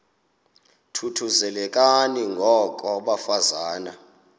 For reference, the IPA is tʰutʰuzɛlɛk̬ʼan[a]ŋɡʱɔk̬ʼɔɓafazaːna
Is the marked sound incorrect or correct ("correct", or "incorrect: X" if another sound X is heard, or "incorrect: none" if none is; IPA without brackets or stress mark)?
incorrect: i